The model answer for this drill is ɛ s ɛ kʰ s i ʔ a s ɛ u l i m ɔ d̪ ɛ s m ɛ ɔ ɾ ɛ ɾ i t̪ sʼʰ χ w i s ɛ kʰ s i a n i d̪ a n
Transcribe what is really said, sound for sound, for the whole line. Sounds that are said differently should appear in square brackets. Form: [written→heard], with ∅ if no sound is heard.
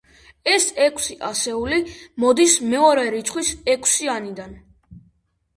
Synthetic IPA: ɛ s ɛ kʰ s i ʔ a s ɛ u l i m ɔ d̪ [ɛ→i] s m ɛ ɔ ɾ ɛ ɾ i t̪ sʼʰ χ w i s ɛ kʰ s i a n i d̪ a n